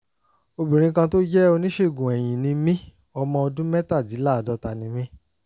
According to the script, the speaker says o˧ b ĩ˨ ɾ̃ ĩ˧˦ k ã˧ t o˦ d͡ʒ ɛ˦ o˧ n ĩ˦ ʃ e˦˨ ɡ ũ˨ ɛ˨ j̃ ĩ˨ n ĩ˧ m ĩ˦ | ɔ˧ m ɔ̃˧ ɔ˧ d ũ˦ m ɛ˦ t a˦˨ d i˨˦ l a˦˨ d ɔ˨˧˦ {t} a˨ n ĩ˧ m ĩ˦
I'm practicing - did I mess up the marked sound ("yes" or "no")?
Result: no